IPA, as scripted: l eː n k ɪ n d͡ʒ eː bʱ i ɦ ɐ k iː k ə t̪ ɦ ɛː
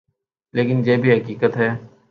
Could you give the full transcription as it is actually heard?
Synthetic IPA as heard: l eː k ɪ n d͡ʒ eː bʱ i ɦ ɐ k iː k ə t̪ ɦ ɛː